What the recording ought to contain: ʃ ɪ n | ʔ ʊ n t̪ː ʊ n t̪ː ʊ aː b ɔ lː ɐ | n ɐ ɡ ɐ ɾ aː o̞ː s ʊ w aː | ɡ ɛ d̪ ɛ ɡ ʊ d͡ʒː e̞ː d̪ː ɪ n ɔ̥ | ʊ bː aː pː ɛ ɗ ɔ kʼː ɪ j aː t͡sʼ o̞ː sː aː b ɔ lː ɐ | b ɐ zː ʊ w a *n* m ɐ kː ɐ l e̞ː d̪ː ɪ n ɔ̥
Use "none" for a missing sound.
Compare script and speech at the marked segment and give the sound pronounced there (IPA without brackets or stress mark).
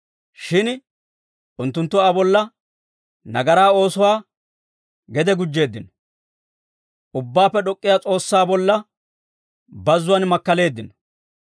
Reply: n